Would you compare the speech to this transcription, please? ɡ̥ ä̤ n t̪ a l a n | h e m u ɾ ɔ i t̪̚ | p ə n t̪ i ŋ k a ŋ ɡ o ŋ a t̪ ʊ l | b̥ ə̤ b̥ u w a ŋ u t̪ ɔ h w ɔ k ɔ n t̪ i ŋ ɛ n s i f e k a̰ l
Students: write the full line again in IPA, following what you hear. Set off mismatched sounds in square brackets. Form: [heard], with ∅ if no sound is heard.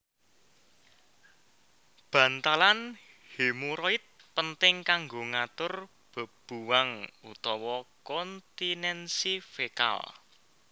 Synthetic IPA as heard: [b̥] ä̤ n t̪ a l a n | h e m u ɾ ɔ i t̪̚ | p ə n t̪ [ɪ] ŋ k a ŋ ɡ o ŋ a t̪ ʊ [r] | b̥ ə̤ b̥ u w a ŋ u t̪ ɔ [∅] w ɔ k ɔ n t̪ i [n] ɛ n s i f e k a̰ l